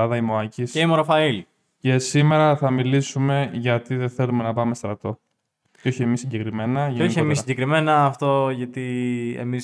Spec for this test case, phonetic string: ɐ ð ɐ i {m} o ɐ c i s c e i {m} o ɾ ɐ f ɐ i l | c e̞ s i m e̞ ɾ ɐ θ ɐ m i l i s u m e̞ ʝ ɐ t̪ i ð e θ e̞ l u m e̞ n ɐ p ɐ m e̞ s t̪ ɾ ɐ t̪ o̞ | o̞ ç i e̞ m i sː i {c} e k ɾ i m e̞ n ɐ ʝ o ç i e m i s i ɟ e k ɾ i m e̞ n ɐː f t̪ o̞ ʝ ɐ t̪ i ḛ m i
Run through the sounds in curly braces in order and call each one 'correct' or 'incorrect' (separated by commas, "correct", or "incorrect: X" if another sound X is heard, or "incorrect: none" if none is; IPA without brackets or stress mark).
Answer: correct, correct, incorrect: ɟ